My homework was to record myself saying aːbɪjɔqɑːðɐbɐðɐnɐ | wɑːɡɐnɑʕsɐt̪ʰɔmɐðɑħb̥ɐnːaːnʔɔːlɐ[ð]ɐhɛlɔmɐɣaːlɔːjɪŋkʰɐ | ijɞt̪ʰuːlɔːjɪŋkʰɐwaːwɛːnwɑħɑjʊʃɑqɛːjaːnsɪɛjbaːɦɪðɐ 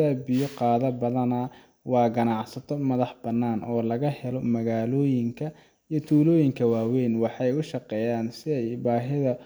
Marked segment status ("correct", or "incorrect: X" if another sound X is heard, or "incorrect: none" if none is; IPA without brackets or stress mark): incorrect: ɣ